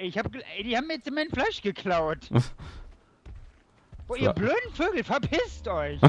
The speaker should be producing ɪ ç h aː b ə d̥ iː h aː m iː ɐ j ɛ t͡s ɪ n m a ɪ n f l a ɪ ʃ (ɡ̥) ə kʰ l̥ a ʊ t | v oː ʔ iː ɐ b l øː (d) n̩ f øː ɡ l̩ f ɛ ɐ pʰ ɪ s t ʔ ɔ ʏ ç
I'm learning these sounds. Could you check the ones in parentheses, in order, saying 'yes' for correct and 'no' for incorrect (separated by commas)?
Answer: yes, yes